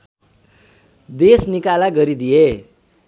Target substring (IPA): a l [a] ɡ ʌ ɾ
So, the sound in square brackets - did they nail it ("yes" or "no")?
yes